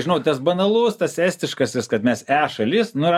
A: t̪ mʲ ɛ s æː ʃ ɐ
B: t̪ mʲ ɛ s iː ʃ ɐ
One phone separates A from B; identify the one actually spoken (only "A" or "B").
A